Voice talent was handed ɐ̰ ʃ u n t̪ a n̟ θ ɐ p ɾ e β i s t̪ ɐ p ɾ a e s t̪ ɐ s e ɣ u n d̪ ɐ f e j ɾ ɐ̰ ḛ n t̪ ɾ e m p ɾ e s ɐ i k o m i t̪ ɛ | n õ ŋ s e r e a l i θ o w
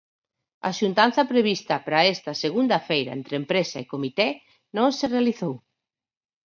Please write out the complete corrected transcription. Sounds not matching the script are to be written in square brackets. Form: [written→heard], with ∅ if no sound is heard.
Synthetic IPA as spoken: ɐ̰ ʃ u n t̪ a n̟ θ ɐ p ɾ e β i s t̪ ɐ p ɾ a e s t̪ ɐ s e ɣ u n d̪ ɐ f e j ɾ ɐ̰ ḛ n t̪ ɾ e m p ɾ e s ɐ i k o m i t̪ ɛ | n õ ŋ s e r e a l i θ o w